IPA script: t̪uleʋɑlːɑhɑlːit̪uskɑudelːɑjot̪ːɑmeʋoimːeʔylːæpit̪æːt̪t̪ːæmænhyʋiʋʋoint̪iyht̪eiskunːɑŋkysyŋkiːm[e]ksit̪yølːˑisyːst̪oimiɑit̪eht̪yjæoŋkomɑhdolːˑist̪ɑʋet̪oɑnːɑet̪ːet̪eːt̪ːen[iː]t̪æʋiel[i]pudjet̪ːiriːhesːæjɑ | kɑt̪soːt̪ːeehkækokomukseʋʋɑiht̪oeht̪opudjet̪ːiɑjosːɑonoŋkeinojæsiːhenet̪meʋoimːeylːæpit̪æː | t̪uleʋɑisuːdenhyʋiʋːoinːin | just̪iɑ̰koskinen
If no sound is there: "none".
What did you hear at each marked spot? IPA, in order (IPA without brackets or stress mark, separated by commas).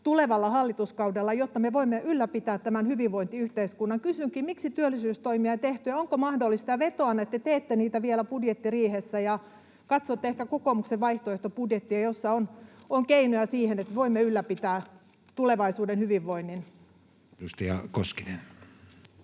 i, iː, æ